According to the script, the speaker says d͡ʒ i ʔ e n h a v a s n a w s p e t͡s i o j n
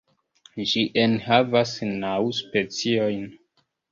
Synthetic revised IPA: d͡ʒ i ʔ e n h a v a s n a w s p e t͡s i o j n